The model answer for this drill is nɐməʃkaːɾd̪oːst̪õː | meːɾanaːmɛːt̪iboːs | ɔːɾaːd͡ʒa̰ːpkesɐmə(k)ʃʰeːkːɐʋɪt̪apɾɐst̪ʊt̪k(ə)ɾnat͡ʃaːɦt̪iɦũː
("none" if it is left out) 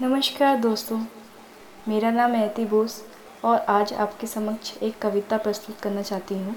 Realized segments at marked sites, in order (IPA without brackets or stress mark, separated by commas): k, ɐ